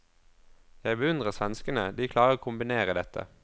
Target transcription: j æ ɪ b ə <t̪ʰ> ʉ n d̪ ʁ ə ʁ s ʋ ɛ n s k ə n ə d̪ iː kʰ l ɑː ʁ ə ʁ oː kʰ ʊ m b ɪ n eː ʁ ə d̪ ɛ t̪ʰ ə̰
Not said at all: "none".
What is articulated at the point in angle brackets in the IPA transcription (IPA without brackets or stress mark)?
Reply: none